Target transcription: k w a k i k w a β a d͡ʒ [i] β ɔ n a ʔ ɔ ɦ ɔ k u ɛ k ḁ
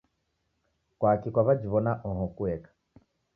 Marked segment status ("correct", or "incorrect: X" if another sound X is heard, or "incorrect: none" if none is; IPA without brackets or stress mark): correct